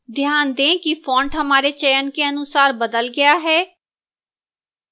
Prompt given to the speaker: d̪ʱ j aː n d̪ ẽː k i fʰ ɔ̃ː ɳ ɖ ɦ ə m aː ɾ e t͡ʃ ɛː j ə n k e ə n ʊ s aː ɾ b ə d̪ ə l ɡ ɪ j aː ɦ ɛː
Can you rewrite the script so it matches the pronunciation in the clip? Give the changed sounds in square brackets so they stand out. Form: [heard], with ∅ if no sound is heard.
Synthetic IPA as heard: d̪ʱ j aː n d̪ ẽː k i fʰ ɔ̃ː ɳ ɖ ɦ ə m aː ɾ e t͡ʃ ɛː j ə n k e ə n ʊ s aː ɾ b ə d̪ ə l ɡ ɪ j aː ɦ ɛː